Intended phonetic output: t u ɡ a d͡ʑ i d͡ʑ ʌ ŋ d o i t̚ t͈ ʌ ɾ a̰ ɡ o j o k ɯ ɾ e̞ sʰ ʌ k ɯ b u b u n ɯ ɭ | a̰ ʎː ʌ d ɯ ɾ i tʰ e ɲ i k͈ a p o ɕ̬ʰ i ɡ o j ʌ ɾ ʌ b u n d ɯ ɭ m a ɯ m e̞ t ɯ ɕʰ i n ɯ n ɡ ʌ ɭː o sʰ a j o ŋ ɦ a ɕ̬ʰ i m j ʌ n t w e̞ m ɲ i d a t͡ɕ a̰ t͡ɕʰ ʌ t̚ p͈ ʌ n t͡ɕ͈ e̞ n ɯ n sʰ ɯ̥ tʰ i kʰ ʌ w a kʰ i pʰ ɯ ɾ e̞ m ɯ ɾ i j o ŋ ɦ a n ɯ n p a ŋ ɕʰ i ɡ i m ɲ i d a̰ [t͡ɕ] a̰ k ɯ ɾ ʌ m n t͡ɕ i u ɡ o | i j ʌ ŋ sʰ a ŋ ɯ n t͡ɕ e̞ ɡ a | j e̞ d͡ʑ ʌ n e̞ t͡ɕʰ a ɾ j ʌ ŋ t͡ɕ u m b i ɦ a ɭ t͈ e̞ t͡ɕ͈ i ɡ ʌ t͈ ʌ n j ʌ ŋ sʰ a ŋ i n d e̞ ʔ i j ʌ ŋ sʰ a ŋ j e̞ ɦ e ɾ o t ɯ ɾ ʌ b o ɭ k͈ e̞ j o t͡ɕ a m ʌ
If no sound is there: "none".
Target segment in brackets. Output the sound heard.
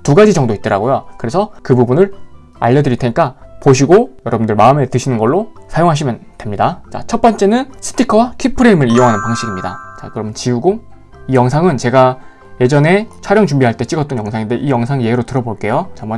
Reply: t͡ɕ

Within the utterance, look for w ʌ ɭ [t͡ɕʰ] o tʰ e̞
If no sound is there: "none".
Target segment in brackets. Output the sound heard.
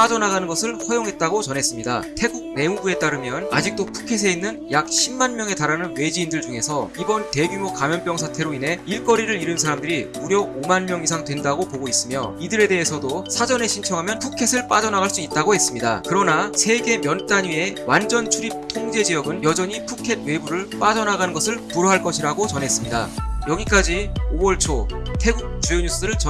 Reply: t͡ɕʰ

